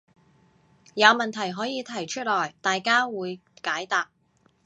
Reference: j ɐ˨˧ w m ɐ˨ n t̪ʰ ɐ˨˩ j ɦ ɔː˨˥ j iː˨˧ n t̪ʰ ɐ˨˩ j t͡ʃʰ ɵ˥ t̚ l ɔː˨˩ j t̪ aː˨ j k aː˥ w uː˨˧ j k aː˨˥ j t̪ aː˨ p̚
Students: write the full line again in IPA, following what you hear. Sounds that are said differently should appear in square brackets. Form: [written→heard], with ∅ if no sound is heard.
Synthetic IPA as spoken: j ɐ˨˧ w m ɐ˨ n t̪ʰ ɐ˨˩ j ɦ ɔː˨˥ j iː˨˧ [n→∅] t̪ʰ ɐ˨˩ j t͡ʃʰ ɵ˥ t̚ l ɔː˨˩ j t̪ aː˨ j k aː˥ w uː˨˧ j k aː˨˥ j t̪ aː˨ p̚